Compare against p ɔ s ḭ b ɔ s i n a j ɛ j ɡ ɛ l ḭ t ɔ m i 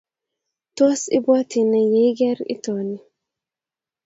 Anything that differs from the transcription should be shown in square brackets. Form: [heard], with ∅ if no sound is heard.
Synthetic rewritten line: [t] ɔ s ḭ b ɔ [t] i n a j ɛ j ɡ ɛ [ɾ] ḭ t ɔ [n] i